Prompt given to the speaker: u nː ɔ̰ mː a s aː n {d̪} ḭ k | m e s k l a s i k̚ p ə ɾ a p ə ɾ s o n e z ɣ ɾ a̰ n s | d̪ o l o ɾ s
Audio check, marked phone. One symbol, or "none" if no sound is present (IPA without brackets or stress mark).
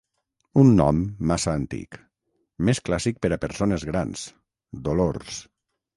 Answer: t̪